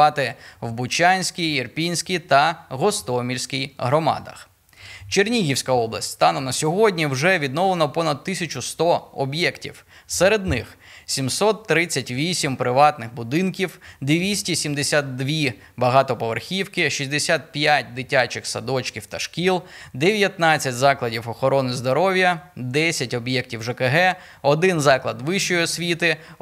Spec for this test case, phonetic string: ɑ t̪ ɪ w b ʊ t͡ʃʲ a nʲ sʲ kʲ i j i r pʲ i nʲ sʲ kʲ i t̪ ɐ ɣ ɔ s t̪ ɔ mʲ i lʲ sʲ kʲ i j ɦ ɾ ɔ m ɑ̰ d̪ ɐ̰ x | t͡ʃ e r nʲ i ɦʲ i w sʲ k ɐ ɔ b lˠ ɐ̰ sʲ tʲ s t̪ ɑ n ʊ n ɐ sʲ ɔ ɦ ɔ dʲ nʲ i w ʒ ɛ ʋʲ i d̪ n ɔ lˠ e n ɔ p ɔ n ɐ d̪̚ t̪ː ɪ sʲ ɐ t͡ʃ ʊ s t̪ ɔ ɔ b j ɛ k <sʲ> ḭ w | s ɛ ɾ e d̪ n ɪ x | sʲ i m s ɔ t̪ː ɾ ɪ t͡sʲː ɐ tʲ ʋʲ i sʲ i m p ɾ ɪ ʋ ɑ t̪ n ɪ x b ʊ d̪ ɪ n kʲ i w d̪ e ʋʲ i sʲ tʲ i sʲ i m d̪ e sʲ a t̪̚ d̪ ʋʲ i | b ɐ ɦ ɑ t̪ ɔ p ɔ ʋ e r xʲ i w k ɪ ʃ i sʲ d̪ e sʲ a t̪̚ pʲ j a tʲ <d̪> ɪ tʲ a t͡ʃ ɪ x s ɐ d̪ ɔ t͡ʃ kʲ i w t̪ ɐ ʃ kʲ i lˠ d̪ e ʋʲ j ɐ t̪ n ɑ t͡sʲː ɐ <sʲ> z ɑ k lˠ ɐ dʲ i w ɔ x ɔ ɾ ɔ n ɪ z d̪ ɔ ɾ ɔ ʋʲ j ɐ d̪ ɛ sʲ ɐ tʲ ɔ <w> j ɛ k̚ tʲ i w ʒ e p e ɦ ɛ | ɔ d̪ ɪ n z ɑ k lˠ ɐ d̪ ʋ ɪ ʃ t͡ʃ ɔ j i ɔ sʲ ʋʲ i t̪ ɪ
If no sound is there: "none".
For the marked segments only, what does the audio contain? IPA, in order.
tʲ, d̪, tʲ, b

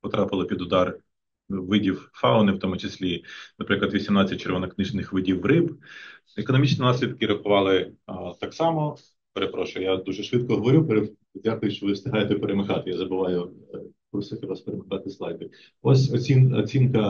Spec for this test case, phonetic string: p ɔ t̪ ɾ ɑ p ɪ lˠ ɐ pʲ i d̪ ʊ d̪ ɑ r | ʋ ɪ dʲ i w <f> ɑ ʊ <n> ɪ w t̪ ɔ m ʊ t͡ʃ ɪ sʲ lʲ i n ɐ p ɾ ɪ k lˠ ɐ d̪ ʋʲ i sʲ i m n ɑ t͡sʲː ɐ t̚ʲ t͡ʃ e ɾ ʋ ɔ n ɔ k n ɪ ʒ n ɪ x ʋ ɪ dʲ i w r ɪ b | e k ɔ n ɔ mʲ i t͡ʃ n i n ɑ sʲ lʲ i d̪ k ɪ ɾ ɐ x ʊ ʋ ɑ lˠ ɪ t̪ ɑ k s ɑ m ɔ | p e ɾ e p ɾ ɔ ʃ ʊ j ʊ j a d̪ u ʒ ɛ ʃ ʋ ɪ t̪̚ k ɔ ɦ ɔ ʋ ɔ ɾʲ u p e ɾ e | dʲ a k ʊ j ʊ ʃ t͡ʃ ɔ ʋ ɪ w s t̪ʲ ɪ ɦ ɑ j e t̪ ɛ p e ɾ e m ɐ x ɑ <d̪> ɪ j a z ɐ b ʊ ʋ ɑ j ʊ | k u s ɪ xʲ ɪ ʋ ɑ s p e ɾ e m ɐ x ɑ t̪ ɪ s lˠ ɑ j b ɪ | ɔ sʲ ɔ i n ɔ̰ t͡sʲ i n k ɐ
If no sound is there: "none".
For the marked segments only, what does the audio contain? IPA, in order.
f, n, t̪

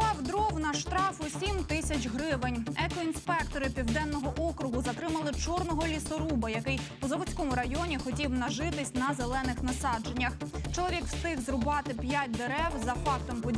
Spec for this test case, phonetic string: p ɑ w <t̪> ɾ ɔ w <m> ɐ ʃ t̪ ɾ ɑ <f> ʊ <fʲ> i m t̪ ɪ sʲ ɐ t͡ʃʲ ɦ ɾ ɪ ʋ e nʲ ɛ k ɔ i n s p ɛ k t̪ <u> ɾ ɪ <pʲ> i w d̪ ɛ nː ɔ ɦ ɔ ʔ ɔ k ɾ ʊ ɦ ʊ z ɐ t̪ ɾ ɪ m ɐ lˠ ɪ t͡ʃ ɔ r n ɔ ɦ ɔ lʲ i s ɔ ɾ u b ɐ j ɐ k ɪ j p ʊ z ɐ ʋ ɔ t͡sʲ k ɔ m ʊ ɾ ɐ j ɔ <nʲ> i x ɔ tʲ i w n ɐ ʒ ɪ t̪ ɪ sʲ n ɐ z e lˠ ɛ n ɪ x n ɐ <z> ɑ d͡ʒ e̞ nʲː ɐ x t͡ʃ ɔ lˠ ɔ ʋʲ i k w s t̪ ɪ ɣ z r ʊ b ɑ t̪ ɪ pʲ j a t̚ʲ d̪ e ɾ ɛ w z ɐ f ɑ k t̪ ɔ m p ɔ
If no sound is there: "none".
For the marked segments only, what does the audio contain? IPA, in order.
d̪, n, f, sʲ, ɔ, pʲ, nʲ, s

